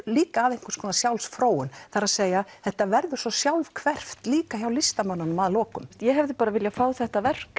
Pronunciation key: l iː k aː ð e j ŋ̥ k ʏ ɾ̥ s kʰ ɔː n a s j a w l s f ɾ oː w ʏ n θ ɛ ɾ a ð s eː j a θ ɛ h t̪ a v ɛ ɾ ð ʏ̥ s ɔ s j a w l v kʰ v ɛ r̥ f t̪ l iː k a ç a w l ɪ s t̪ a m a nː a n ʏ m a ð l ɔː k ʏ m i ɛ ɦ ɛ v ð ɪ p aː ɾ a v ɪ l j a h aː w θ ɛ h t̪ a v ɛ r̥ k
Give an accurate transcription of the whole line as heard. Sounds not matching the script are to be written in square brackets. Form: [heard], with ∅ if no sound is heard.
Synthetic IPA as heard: l iː k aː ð e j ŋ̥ k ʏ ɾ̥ s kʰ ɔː n a s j a w l s f ɾ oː w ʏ n θ [a] ɾ a ð s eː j a θ ɛ h t̪ a v ɛ ɾ ð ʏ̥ s ɔ s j a w l v kʰ v ɛ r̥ f t̪ l iː k a ç a w l ɪ s t̪ a m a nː a n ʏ m a ð l ɔː k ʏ m [j] ɛ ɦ ɛ v ð ɪ p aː ɾ a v ɪ l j a [f] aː w θ ɛ h t̪ a v ɛ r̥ k